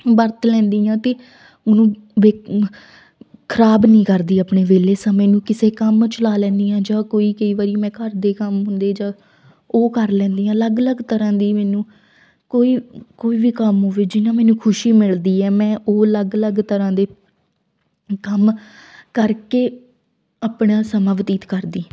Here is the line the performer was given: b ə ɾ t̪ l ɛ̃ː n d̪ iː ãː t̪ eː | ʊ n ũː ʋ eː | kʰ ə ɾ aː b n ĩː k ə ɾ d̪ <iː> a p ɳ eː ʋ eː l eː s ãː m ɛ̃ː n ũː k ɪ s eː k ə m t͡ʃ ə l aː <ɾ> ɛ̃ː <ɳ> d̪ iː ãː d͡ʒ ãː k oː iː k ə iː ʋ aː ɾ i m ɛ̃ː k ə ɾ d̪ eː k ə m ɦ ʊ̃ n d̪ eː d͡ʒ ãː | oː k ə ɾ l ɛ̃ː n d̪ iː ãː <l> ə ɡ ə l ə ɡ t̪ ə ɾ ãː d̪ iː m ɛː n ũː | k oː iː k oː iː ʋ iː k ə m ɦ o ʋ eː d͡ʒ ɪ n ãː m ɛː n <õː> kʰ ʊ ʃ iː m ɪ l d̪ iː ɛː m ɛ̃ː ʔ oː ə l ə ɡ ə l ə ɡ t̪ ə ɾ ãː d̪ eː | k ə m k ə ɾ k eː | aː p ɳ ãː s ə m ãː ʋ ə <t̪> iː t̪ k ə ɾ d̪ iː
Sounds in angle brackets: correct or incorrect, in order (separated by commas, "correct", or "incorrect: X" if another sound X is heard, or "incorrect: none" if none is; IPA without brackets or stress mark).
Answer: correct, incorrect: l, incorrect: n, correct, incorrect: ũː, correct